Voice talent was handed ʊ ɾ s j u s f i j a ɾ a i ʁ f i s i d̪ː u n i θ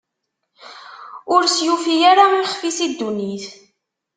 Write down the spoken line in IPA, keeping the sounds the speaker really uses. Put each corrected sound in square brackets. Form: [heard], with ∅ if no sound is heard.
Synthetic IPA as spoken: ʊ ɾ s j u [∅] f i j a ɾ a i [χ] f i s i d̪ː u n i θ